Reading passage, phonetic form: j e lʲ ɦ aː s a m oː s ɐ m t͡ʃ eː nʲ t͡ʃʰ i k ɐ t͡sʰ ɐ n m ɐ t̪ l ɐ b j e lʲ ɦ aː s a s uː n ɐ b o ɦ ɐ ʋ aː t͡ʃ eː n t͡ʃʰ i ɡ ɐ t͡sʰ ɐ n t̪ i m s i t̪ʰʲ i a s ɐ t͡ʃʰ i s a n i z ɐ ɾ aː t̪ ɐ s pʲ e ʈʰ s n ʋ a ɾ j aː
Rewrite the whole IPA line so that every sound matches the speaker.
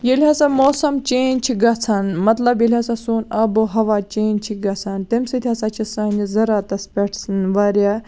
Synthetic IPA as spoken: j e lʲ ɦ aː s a m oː s ɐ m t͡ʃ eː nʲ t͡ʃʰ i ɡ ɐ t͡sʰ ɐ n m ɐ t̪ l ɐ b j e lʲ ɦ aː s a s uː n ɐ b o ɦ ɐ ʋ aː t͡ʃ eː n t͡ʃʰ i ɡ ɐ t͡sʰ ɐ n t̪ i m s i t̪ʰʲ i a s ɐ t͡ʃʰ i s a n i z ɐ ɾ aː t̪ ɐ s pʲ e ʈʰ s n ʋ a ɾ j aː